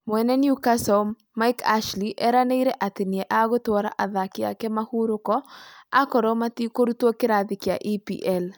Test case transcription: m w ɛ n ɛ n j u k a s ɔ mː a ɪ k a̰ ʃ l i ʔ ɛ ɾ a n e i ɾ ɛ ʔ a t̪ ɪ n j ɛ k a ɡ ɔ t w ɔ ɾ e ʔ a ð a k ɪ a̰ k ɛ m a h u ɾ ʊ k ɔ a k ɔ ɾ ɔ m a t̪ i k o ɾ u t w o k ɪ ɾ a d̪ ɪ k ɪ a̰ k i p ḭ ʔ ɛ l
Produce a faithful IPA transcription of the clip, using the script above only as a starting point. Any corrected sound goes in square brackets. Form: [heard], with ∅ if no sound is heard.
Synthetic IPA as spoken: m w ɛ n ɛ n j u k a s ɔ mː a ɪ k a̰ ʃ l i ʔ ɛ ɾ a n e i ɾ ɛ ʔ a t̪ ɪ n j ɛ [ʔ] a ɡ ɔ t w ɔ ɾ [a] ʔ a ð a k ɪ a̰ k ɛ m a h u ɾ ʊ k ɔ a k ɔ ɾ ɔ m a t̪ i k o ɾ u t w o k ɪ ɾ a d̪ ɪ k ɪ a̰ [ʔ] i p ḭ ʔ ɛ l